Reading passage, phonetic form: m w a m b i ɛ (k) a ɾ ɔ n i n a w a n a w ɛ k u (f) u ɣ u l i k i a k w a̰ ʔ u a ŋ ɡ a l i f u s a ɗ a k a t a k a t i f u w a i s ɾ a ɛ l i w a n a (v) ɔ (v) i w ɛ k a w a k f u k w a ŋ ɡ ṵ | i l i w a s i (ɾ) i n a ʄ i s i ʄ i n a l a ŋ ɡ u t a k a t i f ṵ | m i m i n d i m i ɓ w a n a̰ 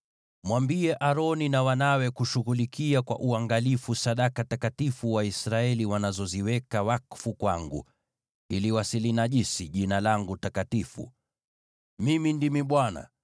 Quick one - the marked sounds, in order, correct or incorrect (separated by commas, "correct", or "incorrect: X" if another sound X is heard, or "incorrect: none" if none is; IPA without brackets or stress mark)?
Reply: incorrect: ʔ, incorrect: ʃ, incorrect: z, incorrect: z, incorrect: l